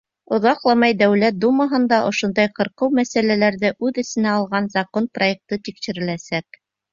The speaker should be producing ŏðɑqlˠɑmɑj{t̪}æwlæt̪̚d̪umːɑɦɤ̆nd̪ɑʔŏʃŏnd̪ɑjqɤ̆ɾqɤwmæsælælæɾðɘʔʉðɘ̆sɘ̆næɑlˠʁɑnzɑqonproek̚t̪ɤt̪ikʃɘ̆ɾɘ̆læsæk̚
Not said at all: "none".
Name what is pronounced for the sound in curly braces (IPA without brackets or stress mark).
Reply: d̪